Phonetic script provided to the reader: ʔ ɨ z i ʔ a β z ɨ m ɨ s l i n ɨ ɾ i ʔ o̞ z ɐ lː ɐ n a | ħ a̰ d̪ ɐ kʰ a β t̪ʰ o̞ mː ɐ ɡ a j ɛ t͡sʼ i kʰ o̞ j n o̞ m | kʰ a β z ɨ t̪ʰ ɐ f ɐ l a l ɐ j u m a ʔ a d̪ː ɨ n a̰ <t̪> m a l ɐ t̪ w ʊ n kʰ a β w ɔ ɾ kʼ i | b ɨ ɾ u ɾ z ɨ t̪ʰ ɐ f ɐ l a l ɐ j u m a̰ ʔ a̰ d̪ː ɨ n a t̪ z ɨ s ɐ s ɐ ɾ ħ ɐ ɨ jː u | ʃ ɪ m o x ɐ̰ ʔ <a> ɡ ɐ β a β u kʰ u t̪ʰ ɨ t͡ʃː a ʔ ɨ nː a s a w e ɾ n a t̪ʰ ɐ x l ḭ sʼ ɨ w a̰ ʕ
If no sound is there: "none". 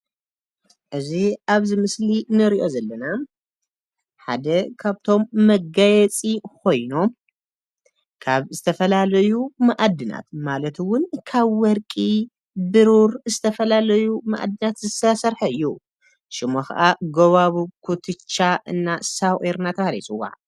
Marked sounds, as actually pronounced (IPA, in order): t̪, a

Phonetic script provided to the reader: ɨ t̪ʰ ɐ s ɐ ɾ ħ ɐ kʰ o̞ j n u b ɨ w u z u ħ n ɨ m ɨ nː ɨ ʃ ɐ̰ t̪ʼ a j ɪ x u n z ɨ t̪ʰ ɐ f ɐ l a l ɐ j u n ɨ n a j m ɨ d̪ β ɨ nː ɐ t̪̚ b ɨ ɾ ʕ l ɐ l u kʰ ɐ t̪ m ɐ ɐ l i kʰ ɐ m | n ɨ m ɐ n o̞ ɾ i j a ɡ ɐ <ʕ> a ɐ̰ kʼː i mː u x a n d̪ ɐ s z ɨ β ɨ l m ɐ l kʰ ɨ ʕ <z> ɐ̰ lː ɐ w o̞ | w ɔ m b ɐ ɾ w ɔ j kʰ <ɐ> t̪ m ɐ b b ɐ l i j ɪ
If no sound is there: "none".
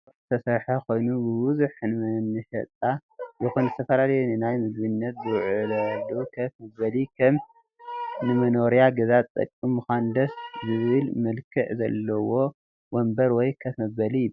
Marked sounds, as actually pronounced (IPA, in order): z, z, ɐ

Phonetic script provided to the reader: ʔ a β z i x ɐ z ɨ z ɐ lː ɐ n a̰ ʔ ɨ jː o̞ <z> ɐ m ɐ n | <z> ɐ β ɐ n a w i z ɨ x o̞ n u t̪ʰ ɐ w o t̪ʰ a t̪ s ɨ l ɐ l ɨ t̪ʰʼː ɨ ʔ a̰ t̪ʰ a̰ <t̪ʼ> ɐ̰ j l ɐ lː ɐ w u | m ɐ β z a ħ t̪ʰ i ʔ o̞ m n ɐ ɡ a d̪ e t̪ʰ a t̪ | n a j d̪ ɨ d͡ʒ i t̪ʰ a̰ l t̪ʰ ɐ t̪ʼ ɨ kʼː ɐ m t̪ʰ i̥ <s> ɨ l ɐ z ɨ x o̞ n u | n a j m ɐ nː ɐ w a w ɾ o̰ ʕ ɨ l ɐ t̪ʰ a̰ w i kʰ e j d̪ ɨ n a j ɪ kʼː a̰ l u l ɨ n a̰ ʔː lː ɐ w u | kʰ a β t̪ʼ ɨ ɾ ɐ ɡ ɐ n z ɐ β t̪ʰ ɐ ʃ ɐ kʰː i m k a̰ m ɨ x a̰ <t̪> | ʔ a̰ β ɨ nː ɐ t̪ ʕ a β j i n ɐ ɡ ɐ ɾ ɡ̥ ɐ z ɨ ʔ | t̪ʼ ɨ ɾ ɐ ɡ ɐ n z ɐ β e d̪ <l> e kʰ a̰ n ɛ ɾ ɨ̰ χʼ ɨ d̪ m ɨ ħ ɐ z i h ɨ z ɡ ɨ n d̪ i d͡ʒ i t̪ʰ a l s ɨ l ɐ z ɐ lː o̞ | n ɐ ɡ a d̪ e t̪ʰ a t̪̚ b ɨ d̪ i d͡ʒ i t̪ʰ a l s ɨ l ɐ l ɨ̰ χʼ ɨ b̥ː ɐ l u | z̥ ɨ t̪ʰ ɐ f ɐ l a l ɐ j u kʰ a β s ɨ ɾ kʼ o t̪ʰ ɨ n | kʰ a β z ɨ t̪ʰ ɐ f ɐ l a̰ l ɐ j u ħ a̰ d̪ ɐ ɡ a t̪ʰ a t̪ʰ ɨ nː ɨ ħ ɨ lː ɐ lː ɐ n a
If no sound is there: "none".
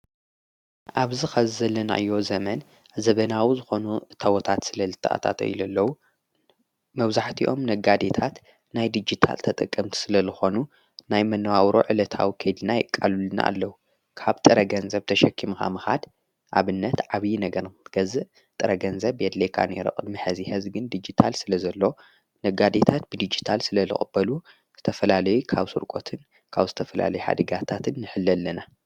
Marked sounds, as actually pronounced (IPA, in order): z, z, t̪, s, d̪, l

